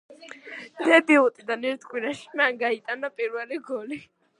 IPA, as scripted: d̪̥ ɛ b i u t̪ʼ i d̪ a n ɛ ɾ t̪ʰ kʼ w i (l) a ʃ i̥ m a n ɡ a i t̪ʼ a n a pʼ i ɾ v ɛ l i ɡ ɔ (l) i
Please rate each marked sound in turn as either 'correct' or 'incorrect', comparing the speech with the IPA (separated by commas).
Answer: incorrect, correct